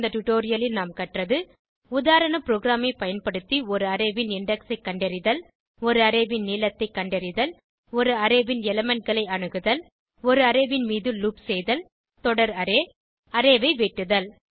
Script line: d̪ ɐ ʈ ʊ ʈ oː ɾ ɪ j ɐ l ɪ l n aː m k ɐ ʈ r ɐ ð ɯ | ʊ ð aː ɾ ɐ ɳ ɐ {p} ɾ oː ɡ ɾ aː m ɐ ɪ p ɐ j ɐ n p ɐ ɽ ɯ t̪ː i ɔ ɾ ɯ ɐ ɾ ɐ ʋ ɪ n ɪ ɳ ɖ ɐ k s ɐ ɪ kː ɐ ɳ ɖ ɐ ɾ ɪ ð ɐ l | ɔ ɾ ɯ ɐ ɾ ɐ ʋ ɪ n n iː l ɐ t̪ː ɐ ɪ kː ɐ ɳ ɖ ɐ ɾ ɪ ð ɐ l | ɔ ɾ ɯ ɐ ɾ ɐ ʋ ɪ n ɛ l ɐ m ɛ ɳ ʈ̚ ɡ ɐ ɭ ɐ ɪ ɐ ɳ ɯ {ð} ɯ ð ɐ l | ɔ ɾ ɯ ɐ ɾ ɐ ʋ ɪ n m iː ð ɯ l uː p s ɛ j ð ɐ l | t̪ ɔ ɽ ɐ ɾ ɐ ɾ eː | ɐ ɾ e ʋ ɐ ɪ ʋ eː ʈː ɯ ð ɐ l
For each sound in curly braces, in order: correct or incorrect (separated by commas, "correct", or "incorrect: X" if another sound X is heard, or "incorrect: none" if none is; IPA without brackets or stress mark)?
correct, incorrect: ɣ